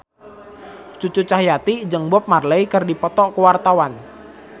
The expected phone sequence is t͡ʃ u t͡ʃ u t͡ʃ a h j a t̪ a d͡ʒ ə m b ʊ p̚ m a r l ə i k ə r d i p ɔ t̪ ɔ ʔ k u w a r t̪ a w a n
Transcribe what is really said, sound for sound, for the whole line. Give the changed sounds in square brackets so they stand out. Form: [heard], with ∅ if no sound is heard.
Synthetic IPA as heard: t͡ʃ u t͡ʃ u t͡ʃ a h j a t̪ [i] d͡ʒ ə [ŋ] b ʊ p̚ m a r l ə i k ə r d i p ɔ t̪ ɔ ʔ k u w a r t̪ a w a n